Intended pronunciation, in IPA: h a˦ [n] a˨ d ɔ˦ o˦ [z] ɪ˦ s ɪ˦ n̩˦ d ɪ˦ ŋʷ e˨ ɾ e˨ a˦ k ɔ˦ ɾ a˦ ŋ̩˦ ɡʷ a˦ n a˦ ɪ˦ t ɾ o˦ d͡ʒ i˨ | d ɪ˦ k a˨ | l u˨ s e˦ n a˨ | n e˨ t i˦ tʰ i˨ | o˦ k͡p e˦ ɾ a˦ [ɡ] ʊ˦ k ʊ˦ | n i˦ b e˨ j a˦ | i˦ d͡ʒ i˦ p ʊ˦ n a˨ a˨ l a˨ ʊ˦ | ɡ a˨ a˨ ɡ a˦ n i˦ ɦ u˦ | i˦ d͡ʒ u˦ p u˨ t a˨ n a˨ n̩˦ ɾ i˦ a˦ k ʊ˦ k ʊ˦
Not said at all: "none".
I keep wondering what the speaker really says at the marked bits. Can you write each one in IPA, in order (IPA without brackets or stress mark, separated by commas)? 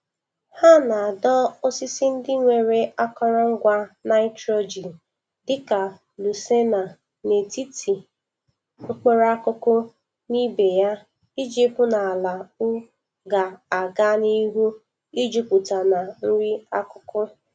n, s, k